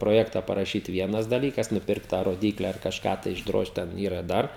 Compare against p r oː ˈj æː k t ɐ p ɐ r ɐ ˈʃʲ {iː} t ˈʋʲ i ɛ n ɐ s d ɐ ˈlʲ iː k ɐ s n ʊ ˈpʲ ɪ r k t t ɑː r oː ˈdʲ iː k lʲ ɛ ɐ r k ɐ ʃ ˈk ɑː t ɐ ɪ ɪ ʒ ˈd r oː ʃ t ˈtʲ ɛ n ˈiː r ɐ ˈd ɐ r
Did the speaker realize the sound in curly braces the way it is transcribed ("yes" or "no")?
yes